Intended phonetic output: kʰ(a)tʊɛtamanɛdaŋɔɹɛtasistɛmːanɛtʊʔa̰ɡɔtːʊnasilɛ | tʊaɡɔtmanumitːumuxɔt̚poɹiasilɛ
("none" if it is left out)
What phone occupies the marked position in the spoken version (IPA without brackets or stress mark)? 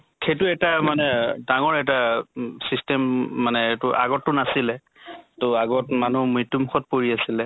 e